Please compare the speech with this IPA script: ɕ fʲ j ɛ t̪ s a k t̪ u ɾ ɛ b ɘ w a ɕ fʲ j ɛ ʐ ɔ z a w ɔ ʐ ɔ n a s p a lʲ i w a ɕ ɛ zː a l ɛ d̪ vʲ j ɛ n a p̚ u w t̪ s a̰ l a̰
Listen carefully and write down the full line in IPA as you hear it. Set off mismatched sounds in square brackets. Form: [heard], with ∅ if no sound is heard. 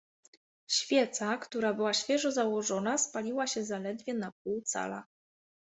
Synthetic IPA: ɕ fʲ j ɛ t̪ s a k t̪ u ɾ [a] b ɘ w a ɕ fʲ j ɛ ʐ ɔ z a w ɔ ʐ ɔ n a s p a lʲ i w a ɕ ɛ [z] a l ɛ d̪ vʲ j ɛ n a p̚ u w t̪ s a̰ l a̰